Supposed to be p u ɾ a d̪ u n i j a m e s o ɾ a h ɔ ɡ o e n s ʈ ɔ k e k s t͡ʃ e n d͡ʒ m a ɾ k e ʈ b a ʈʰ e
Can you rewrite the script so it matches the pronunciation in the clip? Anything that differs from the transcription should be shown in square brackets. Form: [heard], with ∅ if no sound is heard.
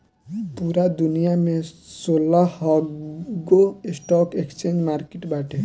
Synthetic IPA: p u ɾ a d̪ u n i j a m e s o [l] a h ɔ ɡ o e [∅] s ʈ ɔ k e k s t͡ʃ e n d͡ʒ m a ɾ k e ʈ b a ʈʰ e